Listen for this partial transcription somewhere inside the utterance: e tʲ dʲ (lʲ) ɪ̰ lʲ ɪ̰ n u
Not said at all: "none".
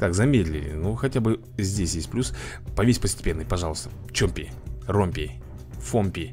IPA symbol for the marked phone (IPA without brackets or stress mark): lʲ